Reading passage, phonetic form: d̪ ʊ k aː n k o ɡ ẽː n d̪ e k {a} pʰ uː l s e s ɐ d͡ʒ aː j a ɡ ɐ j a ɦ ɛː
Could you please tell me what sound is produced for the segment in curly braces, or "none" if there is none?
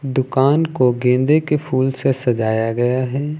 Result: e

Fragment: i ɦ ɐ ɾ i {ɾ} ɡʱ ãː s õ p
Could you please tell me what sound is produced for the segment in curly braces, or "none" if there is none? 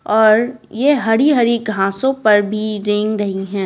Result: none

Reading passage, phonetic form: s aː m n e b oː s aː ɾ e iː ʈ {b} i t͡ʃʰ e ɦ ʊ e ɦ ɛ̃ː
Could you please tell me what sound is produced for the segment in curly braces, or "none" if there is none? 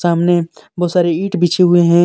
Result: b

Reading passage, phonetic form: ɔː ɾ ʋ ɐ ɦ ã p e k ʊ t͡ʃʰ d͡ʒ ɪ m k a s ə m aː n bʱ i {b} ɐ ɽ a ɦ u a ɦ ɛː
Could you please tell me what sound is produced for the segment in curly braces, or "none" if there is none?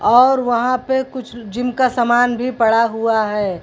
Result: p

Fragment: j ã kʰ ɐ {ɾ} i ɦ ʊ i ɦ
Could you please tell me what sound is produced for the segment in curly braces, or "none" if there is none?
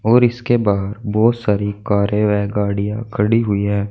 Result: ɽ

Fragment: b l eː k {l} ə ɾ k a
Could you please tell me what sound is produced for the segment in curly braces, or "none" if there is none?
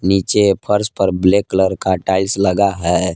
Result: l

